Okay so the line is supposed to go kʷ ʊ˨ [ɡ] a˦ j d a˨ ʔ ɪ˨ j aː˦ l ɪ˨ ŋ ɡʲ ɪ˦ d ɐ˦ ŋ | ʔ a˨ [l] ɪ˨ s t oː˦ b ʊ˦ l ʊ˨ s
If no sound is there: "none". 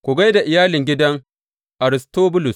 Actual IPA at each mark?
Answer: ɡ, ɾ

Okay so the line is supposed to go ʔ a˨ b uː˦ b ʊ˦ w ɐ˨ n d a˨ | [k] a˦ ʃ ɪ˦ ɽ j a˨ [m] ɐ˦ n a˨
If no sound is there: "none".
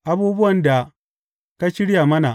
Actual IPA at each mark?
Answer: k, m

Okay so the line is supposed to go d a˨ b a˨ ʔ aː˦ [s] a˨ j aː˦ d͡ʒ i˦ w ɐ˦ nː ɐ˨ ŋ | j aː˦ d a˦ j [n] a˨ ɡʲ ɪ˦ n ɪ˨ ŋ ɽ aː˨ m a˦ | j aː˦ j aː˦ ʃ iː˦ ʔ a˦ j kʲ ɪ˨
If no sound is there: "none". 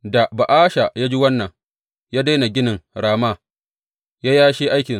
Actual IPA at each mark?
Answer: ʃ, n

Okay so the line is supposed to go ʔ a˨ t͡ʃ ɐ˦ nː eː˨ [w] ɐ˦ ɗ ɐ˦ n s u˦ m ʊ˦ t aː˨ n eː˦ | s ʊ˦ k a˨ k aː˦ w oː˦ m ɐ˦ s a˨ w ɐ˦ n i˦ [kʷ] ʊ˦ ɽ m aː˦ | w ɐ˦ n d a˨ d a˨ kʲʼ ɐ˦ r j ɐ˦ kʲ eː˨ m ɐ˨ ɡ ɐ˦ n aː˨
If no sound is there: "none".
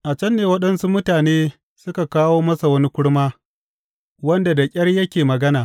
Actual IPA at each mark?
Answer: w, kʷ

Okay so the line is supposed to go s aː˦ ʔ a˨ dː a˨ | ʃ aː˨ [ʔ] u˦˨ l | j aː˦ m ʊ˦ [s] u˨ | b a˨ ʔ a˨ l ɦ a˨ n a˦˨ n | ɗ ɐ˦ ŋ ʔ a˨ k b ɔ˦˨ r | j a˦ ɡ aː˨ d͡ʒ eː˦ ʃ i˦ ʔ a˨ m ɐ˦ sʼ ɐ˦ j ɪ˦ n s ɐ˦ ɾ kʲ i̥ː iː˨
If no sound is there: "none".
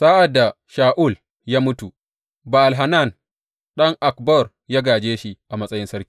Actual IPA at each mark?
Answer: ʔ, t

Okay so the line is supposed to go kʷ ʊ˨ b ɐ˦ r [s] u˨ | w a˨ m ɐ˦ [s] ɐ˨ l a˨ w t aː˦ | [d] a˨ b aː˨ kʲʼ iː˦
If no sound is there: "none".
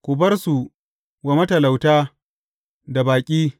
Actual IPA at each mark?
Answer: s, t, d

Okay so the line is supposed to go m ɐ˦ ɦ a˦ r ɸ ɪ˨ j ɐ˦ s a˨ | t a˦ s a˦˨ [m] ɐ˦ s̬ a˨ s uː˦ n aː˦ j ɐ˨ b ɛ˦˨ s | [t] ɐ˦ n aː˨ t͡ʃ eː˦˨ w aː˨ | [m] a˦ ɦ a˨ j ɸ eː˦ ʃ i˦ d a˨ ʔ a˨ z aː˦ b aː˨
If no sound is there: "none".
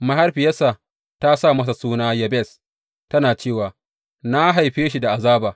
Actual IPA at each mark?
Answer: m, t, n

